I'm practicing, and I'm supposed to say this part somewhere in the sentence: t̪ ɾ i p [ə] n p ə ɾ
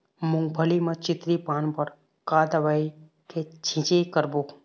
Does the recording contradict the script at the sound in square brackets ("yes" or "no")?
yes